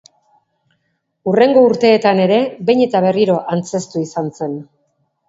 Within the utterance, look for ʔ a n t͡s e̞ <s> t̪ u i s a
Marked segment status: correct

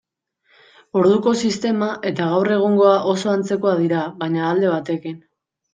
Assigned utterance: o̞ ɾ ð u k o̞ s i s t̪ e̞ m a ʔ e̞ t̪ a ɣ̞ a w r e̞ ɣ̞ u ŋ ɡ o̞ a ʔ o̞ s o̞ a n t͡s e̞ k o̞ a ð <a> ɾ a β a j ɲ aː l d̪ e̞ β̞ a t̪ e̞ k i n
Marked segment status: incorrect: i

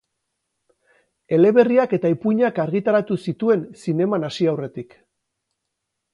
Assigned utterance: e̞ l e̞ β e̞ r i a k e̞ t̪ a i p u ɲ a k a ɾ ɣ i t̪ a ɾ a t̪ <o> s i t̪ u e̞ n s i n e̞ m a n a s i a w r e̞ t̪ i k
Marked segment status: incorrect: u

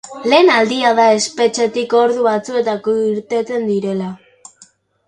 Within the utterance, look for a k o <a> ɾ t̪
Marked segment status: incorrect: i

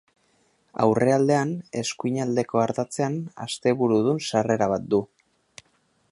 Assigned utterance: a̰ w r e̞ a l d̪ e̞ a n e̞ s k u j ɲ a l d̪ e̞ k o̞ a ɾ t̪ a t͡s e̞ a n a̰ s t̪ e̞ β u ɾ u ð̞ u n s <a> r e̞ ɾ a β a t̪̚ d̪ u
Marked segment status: correct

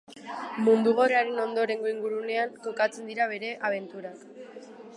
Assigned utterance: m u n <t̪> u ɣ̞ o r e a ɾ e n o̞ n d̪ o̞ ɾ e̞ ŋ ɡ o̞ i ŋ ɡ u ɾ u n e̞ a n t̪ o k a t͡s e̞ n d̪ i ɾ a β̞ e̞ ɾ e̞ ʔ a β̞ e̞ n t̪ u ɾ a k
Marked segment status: incorrect: d̪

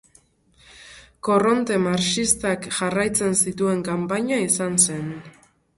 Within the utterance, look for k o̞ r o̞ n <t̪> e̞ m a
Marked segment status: correct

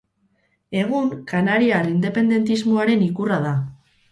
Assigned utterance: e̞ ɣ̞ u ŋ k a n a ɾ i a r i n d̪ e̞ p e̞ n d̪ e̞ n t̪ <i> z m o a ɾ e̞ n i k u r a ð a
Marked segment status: correct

